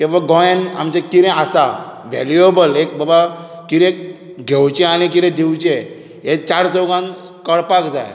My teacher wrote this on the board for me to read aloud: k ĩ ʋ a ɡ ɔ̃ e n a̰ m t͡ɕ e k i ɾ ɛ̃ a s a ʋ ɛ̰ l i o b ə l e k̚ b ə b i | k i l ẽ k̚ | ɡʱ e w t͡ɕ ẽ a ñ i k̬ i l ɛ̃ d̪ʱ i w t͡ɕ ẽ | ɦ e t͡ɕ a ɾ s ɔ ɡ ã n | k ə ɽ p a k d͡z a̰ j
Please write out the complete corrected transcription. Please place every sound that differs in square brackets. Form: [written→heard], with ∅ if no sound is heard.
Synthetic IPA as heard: k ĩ ʋ a ɡ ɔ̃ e n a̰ m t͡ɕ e k i ɾ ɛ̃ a s a ʋ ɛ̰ l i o b ə l e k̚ b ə b [i→a] | k i [l→ɾ] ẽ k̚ | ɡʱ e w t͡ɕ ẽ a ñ i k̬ i [l→ɾ] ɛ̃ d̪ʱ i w t͡ɕ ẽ | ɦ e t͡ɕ a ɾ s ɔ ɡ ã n | k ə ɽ p a k d͡z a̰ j